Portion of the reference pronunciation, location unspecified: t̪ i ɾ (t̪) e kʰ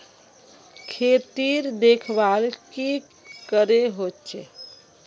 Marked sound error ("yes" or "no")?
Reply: yes